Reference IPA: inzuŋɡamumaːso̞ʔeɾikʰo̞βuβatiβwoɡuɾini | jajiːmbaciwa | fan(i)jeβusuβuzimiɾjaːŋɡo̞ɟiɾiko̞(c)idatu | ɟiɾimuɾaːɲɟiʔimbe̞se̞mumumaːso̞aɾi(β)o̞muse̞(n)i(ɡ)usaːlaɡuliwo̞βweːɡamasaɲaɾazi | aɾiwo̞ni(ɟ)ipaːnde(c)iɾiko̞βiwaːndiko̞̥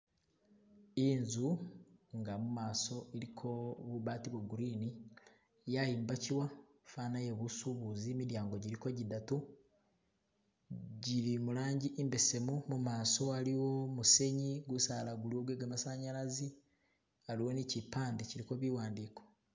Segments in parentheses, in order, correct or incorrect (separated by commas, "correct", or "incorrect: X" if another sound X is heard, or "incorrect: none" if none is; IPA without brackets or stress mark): incorrect: a, incorrect: ɟ, incorrect: w, incorrect: ɲ, correct, incorrect: c, correct